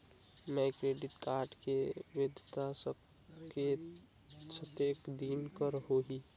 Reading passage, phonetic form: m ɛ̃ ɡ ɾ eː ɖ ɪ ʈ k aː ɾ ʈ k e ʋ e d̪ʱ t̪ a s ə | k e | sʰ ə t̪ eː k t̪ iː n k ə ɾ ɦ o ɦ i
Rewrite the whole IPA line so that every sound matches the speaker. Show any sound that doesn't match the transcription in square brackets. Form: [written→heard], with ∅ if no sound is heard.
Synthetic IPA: m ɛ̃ [ɡ→k] ɾ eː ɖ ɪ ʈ k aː ɾ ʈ k e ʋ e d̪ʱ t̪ a s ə | k e | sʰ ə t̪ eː k [t̪→d̪] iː n k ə ɾ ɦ o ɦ i